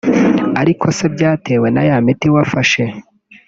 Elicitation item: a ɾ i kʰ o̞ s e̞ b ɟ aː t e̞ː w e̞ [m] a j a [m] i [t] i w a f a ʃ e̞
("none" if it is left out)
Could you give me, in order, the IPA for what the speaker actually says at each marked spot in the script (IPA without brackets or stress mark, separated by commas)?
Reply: n, m, t